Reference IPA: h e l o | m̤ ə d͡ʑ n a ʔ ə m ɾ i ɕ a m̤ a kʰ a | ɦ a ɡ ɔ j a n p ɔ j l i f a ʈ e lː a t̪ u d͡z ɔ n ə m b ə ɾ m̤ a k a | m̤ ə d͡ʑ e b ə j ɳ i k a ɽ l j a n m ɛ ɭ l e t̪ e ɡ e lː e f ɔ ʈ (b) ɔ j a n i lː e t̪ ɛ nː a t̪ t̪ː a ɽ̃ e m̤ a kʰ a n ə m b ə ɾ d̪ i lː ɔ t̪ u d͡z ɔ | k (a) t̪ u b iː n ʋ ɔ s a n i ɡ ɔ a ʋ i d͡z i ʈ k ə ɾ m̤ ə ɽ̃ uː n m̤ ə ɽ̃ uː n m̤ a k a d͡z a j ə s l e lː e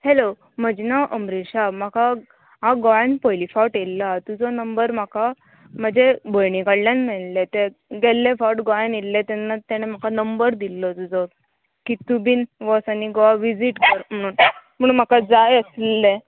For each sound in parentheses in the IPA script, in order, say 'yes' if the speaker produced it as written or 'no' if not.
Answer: no, no

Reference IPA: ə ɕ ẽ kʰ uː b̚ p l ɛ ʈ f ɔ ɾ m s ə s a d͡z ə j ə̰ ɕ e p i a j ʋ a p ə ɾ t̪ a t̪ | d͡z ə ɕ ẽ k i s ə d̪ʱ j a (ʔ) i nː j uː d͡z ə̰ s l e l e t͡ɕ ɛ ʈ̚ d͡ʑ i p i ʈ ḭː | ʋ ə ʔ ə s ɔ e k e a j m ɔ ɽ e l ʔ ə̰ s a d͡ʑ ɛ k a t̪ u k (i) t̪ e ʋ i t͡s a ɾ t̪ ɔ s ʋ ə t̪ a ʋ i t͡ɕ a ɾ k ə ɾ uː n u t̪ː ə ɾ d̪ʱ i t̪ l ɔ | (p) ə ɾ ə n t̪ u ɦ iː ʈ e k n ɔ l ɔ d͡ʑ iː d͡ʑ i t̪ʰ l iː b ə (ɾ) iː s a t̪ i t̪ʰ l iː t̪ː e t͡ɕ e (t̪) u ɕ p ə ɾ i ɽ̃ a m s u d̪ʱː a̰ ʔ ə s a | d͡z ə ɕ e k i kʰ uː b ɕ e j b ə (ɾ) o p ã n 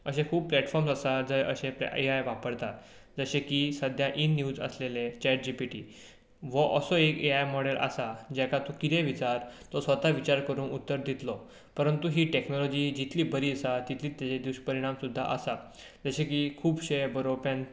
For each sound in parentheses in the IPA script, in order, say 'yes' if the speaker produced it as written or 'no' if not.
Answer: yes, yes, yes, yes, no, yes

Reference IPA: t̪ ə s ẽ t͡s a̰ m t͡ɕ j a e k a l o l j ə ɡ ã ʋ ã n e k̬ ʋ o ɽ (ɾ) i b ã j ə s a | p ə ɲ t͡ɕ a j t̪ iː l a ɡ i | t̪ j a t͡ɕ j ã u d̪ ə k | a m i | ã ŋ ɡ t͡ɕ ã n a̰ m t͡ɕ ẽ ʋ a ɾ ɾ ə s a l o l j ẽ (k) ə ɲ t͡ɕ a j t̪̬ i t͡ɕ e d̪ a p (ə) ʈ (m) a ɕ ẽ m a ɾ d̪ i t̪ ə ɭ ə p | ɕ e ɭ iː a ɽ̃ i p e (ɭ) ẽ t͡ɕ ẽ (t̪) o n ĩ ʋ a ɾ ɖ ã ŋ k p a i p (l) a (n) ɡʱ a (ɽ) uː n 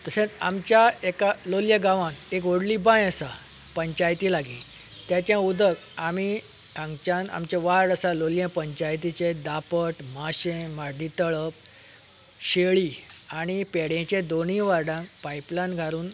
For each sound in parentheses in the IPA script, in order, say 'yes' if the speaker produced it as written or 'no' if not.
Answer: no, no, yes, yes, no, no, yes, yes, no

